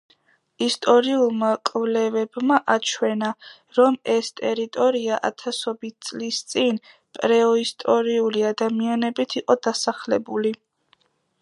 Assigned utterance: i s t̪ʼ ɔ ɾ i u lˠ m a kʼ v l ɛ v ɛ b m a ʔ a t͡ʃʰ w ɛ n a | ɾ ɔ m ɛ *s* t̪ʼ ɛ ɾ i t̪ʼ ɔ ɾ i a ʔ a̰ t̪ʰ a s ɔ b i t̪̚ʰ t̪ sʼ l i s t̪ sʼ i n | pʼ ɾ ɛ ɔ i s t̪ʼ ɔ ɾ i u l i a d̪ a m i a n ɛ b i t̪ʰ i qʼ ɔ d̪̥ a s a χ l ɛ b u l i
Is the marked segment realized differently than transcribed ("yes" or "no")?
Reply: no